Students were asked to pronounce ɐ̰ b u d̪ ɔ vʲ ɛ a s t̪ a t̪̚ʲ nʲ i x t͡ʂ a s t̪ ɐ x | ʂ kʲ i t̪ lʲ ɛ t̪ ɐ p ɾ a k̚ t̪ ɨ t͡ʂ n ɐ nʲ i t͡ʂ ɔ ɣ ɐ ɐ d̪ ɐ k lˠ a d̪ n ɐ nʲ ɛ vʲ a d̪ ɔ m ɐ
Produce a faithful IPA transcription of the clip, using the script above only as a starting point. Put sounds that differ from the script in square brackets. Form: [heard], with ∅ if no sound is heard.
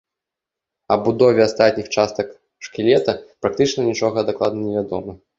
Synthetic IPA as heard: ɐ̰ b u d̪ ɔ vʲ ɛ a s t̪ a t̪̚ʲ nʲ i x t͡ʂ a s t̪ ɐ [k] | ʂ kʲ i [∅] lʲ ɛ t̪ ɐ p ɾ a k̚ t̪ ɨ t͡ʂ n ɐ nʲ i t͡ʂ ɔ ɣ ɐ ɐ d̪ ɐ k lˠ a d̪ n ɐ nʲ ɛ vʲ a d̪ ɔ m ɐ